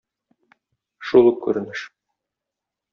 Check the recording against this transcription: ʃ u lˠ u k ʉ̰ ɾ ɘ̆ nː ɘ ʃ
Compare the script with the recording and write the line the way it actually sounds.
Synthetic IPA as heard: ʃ u lˠ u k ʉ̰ ɾ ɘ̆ n ɘ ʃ